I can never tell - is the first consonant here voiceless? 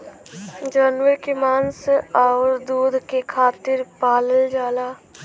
no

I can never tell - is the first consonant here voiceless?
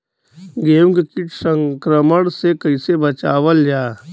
no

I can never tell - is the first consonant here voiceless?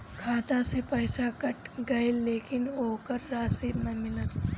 yes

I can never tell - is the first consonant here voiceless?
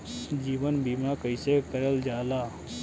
no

